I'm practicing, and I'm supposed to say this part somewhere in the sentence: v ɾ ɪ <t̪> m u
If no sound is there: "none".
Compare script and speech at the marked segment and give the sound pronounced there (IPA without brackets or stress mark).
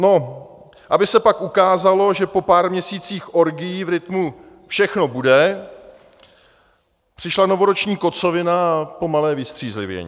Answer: t̪